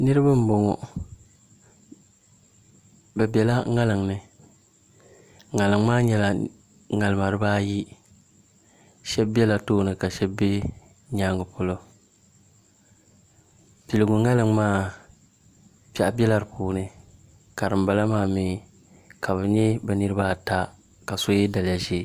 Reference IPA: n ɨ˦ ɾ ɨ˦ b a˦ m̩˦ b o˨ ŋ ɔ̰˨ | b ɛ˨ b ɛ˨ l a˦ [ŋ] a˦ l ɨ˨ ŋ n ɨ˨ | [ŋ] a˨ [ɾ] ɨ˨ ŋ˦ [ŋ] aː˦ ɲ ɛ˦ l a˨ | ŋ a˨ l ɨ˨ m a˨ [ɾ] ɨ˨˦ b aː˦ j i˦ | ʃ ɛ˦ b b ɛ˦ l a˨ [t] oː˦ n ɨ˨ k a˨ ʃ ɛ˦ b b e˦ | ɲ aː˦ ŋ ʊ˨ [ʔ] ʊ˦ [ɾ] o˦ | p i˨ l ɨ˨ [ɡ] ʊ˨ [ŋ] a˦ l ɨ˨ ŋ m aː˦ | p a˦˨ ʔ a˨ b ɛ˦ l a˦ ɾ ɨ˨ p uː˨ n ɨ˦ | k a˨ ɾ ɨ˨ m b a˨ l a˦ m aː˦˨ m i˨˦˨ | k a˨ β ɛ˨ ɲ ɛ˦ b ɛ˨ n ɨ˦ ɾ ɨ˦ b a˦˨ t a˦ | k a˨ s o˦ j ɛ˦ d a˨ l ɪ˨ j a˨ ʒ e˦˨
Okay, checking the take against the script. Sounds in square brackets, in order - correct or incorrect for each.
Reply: correct, correct, incorrect: l, incorrect: m, correct, correct, incorrect: p, incorrect: l, correct, correct

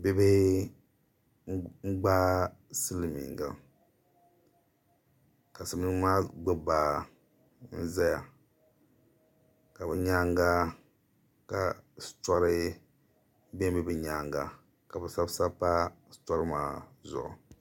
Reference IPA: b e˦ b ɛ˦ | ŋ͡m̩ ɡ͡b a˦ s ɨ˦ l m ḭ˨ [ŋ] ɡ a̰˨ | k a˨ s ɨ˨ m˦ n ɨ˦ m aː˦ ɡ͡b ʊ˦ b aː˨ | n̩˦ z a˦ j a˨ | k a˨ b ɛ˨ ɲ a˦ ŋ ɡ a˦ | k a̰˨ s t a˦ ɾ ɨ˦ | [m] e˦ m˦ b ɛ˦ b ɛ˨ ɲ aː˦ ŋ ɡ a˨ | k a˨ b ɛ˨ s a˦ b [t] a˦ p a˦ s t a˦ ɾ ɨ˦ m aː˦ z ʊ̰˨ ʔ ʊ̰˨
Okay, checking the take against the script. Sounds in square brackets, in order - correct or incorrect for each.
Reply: correct, incorrect: b, incorrect: s

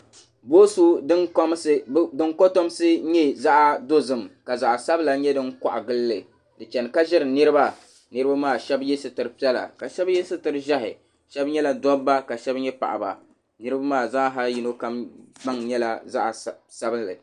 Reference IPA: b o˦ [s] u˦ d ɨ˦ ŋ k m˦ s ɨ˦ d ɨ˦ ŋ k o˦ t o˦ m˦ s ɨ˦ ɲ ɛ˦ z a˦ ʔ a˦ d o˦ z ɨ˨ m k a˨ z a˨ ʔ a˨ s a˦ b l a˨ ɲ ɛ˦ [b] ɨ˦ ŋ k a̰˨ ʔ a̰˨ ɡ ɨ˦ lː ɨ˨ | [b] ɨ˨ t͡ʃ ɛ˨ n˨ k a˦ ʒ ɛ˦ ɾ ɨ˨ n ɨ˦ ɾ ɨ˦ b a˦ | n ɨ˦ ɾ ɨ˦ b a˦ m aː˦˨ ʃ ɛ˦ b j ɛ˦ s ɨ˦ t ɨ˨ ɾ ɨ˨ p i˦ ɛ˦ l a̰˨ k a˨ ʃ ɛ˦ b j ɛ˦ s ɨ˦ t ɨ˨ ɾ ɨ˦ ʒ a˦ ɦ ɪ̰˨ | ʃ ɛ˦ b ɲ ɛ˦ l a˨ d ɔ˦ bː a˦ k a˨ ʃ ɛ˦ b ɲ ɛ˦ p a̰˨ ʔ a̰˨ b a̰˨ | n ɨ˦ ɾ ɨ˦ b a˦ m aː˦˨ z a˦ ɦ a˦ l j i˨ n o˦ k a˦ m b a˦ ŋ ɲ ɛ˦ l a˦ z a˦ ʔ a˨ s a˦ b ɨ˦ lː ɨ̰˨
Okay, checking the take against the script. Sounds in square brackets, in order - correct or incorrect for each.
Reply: correct, incorrect: d, incorrect: d

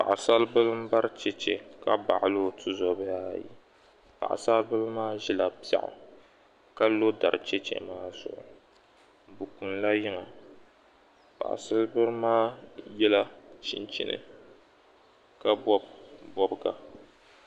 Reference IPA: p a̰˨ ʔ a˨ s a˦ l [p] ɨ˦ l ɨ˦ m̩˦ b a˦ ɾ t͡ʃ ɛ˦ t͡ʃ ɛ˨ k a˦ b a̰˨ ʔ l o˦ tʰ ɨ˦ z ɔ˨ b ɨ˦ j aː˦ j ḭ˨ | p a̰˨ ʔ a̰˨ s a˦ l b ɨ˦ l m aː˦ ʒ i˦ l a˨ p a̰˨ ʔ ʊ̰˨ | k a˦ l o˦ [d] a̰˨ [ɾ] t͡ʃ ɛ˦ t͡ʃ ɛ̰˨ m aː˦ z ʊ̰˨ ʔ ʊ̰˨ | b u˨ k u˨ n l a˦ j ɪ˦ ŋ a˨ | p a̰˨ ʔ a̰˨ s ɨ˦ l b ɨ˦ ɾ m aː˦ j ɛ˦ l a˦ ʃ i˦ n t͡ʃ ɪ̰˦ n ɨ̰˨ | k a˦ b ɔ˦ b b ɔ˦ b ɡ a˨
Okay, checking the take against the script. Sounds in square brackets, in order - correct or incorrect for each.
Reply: incorrect: b, correct, correct

